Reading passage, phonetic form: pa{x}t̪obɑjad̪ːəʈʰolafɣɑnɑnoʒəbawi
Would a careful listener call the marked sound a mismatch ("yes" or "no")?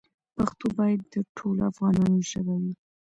no